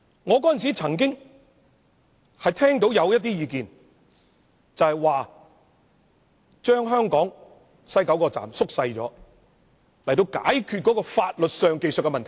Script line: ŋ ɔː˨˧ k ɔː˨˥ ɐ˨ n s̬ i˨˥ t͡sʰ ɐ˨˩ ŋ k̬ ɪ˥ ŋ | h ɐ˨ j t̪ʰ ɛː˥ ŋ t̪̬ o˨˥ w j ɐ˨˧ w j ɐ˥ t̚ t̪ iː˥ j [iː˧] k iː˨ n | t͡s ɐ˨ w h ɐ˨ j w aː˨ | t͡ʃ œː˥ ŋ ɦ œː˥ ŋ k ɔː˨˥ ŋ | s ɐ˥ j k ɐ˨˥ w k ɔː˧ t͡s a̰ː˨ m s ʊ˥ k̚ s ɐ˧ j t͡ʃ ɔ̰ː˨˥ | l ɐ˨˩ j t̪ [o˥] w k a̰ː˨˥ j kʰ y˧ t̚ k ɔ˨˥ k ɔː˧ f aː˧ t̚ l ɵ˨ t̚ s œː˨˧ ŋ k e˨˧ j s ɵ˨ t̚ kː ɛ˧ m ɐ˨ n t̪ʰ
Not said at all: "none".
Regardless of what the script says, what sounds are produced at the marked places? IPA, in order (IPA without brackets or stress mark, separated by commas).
iː˧, o˧